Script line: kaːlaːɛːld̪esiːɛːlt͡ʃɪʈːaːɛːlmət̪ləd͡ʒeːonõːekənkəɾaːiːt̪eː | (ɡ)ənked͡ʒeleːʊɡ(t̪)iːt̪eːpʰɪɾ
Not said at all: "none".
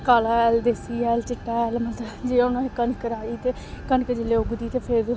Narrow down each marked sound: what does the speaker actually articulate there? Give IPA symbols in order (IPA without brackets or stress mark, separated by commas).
k, d̪